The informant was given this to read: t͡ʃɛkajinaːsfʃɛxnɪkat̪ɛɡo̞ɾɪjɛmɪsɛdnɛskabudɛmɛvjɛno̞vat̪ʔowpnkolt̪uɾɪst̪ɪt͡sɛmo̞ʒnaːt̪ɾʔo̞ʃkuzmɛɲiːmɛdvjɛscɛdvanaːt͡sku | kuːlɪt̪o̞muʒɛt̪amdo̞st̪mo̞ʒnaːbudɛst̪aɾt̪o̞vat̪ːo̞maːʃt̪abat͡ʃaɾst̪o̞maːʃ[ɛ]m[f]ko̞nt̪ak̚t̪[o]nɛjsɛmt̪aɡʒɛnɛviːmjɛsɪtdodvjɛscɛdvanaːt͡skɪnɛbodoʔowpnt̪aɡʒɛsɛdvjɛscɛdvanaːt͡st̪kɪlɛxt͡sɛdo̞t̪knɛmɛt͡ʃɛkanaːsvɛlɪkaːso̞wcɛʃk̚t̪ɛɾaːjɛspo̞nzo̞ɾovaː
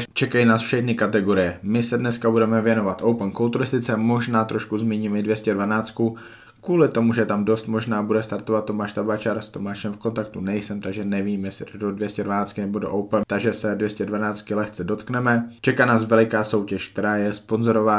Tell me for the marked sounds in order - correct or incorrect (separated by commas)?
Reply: correct, correct, incorrect